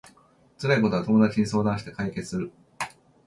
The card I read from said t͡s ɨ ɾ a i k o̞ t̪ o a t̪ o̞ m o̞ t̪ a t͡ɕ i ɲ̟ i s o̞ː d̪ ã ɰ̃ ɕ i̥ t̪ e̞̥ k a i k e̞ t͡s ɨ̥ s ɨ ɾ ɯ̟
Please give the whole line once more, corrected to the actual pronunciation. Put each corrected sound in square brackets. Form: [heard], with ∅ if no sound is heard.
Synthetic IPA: t͡s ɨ ɾ a i k o̞ t̪ o a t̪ o̞ m o̞ [d̪] a t͡ɕ i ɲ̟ i s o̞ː d̪ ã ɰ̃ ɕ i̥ t̪ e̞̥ k a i k e̞ t͡s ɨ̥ s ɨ ɾ ɯ̟